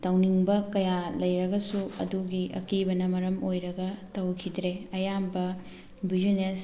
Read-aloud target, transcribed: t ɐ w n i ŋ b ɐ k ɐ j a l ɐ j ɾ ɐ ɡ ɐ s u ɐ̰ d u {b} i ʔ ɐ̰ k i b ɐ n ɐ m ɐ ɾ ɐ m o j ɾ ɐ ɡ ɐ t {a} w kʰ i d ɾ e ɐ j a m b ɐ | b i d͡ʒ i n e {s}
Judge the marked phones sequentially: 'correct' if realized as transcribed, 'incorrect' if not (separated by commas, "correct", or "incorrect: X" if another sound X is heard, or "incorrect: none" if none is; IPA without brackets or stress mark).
incorrect: ɡ, incorrect: ɐ, correct